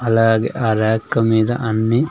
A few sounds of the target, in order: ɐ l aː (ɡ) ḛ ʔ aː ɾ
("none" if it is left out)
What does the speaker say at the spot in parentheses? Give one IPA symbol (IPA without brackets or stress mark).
ɡ